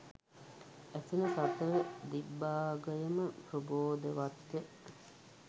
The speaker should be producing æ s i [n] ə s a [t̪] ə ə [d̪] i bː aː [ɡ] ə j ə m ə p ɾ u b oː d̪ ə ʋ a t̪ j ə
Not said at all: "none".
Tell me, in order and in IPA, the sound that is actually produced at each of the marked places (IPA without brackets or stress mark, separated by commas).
n, t̪, d̪, ɡ